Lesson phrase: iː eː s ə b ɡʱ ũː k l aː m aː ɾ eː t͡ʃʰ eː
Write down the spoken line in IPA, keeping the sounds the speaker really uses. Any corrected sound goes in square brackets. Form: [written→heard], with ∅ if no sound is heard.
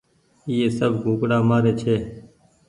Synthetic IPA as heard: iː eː s ə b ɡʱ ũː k [l→ɽ] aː m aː ɾ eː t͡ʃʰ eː